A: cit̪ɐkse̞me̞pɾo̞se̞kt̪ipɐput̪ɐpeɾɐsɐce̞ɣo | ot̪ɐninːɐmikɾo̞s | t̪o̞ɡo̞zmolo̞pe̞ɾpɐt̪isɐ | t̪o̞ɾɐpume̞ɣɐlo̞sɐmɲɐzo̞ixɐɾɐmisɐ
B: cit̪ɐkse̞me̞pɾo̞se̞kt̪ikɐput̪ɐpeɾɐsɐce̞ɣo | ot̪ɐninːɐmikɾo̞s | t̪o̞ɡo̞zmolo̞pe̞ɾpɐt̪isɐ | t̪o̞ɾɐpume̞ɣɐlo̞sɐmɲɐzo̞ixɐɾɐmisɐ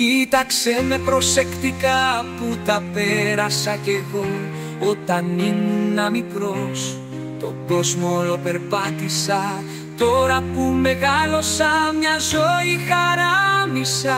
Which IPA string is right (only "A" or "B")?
B